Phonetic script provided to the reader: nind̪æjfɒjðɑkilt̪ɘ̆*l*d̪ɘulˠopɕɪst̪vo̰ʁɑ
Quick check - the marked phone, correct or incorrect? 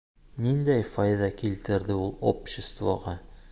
incorrect